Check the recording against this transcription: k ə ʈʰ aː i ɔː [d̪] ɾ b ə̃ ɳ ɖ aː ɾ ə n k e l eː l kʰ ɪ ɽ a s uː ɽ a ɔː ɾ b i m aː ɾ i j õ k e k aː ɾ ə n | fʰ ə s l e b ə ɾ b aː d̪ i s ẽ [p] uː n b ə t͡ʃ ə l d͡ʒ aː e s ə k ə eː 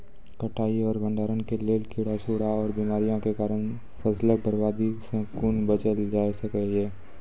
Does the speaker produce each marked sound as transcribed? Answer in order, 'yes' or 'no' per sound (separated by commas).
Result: no, no